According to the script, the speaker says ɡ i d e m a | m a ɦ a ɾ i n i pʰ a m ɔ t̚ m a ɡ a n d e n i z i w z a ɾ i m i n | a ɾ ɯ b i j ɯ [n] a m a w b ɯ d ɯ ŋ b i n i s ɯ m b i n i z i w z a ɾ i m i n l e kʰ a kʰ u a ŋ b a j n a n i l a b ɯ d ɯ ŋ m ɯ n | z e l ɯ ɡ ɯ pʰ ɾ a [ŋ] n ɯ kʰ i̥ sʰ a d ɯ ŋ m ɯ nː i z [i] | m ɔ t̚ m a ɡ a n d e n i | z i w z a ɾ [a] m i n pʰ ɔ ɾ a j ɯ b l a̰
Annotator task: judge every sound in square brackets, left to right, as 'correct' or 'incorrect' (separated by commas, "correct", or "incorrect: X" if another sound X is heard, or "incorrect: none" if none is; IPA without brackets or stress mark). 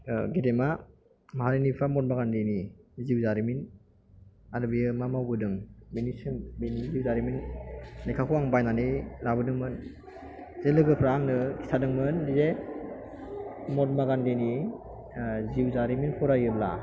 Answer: incorrect: m, correct, incorrect: e, incorrect: i